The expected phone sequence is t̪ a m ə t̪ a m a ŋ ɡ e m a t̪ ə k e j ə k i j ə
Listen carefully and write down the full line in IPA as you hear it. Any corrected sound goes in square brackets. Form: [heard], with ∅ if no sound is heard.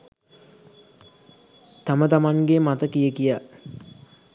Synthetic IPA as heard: t̪ a m ə t̪ a m a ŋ ɡ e m a t̪ ə k [i] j ə k i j [a]